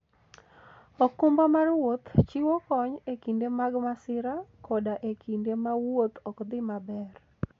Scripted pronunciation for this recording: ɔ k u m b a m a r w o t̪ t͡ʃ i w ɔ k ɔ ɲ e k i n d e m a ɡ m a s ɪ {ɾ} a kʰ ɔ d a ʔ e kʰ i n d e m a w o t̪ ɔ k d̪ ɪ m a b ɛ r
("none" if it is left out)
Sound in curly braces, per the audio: ɾ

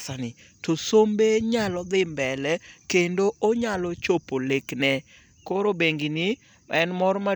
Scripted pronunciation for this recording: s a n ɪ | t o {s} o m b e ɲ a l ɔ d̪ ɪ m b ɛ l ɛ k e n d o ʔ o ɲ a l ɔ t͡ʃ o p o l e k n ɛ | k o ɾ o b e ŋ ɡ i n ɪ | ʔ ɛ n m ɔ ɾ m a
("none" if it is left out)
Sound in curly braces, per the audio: s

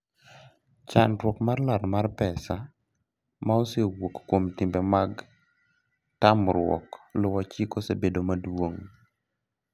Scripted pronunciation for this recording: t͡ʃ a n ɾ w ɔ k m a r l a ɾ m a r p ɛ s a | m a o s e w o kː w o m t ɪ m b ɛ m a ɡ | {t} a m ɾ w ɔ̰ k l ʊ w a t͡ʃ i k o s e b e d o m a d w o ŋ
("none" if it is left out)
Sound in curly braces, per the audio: t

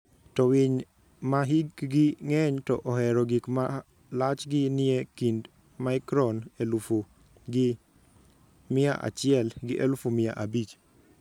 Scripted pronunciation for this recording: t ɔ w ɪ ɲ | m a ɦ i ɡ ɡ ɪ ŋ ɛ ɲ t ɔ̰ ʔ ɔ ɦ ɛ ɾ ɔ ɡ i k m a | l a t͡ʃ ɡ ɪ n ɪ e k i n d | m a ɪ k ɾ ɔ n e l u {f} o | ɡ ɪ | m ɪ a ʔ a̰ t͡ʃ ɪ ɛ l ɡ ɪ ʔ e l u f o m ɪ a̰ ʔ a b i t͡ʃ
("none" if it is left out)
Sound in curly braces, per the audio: f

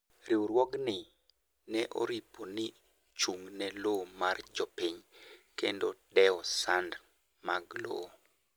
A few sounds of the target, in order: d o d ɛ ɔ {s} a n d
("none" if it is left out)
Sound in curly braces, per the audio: s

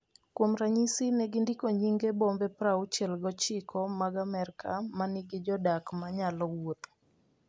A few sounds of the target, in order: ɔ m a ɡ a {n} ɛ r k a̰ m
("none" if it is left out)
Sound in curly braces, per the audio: m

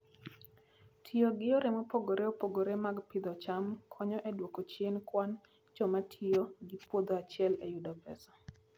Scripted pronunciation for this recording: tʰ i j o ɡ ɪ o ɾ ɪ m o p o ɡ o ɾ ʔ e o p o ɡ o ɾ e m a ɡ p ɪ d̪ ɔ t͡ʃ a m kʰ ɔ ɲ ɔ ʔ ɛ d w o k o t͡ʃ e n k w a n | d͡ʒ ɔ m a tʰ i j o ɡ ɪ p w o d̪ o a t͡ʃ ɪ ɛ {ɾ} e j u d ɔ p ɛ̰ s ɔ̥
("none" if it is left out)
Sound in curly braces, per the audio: l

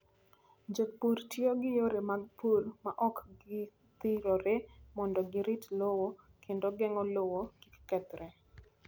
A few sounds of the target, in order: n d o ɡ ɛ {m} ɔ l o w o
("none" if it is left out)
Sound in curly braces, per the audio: ŋ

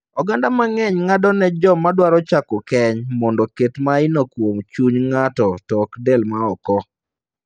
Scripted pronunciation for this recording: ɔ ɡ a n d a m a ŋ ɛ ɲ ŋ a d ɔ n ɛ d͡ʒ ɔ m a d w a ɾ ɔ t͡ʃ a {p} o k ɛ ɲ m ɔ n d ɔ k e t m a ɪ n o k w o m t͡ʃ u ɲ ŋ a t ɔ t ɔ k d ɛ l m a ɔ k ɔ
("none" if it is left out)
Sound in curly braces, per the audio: k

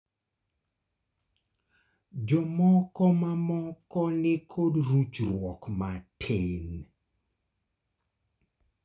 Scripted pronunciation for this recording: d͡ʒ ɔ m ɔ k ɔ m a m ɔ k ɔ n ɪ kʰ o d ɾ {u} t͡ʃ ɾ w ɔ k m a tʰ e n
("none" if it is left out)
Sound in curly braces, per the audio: u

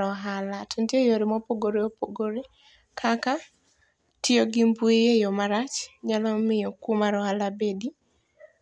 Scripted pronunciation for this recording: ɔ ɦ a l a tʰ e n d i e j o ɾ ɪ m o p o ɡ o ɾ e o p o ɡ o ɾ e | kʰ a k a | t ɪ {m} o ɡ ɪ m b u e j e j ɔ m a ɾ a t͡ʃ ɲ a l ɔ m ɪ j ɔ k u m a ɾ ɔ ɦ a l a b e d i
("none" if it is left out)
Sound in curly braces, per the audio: none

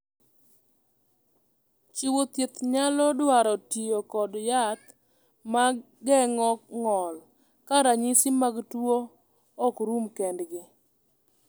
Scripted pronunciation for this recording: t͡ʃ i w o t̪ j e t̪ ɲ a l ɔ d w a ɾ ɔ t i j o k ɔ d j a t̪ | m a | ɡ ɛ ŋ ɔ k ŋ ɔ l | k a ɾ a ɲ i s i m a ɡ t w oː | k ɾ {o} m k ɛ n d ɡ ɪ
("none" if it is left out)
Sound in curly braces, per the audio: u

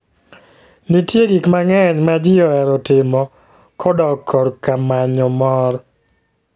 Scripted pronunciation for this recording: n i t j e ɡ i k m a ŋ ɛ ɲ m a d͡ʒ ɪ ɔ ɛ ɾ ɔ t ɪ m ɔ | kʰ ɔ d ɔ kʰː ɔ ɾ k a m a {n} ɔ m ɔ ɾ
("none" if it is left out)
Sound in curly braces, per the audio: ɲ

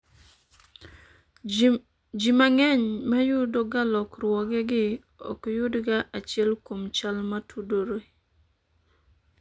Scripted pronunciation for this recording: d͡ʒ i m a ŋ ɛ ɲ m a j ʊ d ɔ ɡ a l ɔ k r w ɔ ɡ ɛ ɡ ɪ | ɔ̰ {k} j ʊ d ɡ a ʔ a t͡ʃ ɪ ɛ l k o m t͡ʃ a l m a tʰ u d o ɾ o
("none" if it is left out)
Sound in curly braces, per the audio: k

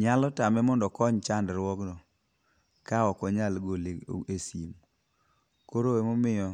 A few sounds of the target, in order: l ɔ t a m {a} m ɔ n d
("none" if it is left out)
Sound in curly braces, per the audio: ɛ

